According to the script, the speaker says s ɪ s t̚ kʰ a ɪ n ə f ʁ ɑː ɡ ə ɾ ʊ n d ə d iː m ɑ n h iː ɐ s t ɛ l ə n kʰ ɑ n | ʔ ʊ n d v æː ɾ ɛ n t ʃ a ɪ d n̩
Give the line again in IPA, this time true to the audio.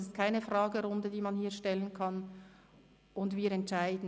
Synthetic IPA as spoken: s ɪ s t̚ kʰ a ɪ n ə f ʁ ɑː ɡ ə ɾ ʊ n d ə d iː m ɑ n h iː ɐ ʃ t ɛ l ə n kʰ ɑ n | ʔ ʊ n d v iː ɾ ɛ n t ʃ a ɪ d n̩